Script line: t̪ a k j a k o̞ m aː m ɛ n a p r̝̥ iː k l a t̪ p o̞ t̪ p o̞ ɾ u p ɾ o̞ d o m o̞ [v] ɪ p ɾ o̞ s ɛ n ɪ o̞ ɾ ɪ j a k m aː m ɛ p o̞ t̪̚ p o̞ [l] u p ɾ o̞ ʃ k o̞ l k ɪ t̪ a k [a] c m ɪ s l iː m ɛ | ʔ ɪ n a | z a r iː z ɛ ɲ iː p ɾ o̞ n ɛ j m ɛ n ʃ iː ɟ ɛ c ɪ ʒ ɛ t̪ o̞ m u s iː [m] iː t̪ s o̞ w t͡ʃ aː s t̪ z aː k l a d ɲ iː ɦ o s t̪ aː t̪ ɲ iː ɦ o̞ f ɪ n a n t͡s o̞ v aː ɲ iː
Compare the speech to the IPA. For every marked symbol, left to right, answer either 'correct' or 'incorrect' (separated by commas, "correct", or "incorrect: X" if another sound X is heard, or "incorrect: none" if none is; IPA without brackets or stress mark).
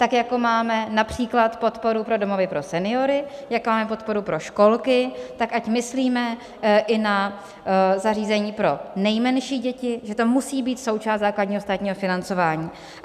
correct, incorrect: ɾ, correct, incorrect: b